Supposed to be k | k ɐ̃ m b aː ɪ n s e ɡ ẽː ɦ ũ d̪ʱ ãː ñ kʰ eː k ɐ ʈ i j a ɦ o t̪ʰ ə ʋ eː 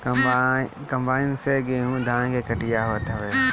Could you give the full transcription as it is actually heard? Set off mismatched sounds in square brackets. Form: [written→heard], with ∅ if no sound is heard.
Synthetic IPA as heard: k | k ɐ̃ m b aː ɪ n s e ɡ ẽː ɦ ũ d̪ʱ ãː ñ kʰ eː k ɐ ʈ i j a ɦ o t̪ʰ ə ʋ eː